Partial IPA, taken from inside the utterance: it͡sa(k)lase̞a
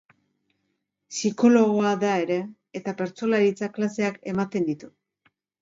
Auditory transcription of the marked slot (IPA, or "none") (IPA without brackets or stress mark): k